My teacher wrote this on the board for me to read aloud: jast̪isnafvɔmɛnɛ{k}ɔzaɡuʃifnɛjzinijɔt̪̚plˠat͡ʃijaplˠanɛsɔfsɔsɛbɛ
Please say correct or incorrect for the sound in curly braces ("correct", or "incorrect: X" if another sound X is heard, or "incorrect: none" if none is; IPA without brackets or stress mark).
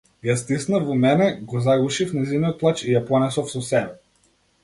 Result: incorrect: ɡ